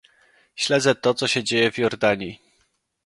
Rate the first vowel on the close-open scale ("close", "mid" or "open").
mid